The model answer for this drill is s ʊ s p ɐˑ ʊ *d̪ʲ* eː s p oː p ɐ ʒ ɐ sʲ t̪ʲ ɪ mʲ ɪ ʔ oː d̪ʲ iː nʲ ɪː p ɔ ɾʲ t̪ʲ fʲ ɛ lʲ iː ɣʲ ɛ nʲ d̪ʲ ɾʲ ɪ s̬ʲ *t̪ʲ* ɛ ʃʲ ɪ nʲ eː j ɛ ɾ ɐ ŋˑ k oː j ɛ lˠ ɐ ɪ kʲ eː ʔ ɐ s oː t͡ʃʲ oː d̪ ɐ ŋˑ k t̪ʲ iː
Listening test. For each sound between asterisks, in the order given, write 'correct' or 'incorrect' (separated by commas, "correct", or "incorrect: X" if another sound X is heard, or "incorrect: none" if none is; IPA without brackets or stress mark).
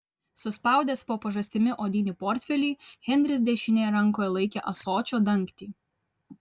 correct, incorrect: d̪ʲ